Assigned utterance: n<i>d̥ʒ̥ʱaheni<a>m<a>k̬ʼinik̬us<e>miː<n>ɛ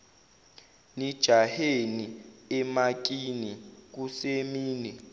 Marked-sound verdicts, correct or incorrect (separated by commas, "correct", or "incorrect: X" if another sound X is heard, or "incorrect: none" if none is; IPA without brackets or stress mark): correct, incorrect: ɛ, correct, correct, correct